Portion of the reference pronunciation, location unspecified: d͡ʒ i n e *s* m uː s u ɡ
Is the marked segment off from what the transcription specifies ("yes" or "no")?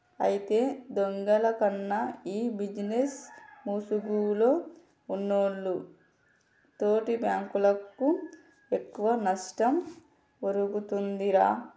no